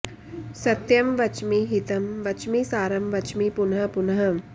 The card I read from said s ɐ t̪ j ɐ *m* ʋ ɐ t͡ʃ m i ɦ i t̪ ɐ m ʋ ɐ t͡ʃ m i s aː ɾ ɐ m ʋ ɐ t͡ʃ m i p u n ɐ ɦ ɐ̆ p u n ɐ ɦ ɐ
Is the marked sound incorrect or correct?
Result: correct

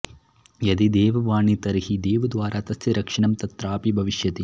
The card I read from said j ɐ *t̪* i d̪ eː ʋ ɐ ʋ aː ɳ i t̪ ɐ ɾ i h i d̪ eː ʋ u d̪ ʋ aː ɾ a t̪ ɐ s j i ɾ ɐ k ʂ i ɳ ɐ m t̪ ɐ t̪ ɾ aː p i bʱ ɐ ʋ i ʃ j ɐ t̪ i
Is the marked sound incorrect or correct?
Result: incorrect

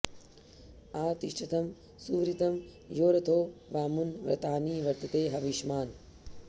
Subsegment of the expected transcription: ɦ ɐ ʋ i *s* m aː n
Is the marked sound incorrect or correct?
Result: incorrect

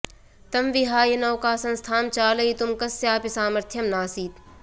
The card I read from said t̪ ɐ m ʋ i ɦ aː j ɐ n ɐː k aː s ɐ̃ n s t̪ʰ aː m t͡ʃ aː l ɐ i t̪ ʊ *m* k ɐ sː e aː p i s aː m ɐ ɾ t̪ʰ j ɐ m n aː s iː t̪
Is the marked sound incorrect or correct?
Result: correct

